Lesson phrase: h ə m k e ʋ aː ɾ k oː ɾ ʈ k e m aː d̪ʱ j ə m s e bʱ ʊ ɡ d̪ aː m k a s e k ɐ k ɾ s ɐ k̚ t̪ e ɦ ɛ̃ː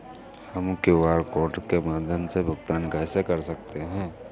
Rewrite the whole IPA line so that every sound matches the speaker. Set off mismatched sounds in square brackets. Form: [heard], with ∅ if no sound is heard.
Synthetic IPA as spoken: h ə m k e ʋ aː ɾ k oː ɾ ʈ k e m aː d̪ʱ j ə m s e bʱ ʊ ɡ [t̪] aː [n] k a s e k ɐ [∅] ɾ s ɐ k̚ t̪ e ɦ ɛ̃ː